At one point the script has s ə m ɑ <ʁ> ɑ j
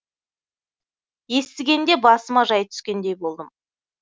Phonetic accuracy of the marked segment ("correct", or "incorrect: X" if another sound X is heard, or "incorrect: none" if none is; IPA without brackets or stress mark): incorrect: ʒ